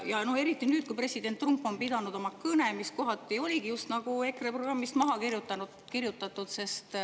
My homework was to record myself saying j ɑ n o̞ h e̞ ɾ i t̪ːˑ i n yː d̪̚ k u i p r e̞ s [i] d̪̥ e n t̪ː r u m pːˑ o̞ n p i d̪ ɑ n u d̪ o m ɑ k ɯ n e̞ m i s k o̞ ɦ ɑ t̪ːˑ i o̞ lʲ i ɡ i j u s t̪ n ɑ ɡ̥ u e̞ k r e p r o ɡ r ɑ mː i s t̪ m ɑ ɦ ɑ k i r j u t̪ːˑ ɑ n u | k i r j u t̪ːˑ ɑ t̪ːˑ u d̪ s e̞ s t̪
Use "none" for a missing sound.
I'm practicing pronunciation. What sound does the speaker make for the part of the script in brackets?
i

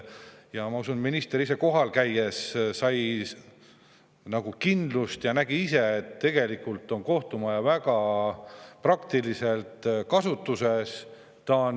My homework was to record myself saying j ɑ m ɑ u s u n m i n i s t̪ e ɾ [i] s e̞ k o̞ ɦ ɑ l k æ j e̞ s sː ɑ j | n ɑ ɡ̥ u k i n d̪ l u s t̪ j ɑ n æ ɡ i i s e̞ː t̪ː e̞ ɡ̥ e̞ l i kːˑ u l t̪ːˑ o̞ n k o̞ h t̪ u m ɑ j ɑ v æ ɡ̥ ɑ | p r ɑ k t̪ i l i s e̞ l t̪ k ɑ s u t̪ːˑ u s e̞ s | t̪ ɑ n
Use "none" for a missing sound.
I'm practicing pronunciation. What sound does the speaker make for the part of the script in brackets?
i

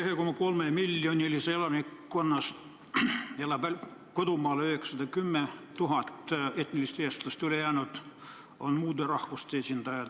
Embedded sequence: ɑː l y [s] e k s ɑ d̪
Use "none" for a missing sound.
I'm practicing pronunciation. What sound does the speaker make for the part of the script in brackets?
h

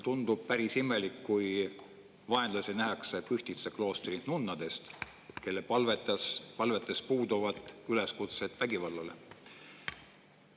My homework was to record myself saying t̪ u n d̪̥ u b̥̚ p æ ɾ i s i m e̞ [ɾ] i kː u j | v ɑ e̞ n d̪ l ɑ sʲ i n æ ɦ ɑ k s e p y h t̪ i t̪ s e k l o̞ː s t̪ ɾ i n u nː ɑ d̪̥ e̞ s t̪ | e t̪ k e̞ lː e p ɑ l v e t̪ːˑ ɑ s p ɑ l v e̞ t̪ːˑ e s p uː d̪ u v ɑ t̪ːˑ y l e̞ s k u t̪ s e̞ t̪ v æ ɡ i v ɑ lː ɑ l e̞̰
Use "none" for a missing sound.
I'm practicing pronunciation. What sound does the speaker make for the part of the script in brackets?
l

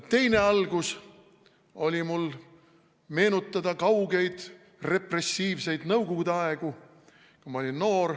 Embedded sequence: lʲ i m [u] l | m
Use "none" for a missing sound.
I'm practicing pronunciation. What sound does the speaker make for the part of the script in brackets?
u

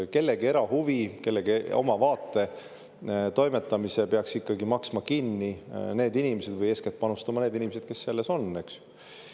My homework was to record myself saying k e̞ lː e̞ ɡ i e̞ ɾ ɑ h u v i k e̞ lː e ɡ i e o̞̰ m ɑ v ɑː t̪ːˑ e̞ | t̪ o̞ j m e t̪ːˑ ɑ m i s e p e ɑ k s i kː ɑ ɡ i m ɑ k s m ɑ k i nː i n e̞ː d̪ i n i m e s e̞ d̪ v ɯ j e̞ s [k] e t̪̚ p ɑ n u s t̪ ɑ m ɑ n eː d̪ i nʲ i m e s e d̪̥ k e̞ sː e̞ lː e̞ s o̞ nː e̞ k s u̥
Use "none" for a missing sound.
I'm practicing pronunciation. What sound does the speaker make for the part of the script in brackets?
k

